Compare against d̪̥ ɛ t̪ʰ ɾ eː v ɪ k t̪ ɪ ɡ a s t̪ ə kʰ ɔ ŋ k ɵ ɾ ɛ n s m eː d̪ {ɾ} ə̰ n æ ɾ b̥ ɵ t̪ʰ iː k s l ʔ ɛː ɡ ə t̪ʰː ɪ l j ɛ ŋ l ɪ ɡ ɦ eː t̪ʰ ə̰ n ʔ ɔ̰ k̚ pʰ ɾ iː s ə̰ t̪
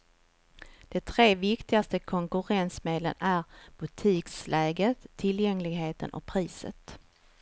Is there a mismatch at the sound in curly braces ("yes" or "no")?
yes